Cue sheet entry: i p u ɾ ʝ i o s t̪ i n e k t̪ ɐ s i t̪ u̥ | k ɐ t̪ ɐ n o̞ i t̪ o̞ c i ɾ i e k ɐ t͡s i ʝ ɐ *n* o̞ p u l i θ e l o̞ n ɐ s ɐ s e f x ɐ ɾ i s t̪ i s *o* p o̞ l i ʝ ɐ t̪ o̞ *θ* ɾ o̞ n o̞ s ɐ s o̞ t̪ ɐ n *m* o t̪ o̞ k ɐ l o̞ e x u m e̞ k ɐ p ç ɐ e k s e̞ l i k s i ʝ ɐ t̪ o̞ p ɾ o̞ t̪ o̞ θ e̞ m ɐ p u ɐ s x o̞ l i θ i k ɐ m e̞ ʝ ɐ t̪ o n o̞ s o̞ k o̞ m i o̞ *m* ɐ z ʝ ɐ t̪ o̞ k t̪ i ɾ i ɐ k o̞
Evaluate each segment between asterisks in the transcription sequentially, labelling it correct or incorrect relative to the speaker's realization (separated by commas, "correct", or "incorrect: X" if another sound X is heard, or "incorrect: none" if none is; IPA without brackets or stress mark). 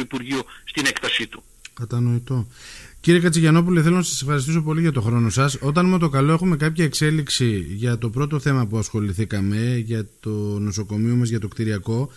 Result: correct, correct, incorrect: x, correct, correct